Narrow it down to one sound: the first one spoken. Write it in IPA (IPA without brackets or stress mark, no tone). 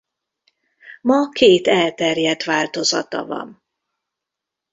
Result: m